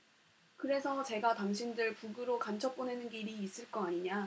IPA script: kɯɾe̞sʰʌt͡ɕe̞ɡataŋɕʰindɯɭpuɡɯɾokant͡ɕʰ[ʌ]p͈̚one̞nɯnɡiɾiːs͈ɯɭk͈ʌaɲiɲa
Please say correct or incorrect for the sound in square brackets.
correct